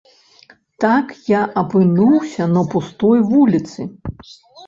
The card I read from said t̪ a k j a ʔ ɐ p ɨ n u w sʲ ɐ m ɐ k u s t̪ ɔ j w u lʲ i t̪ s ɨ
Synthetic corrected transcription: t̪ a k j a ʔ ɐ p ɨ n u w sʲ ɐ n ɐ p u s t̪ ɔ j v u lʲ i t̪ s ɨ